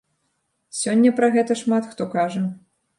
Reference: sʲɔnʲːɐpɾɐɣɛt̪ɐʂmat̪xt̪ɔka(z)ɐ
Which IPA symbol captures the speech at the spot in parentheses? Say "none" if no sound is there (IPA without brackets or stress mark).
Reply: ʐ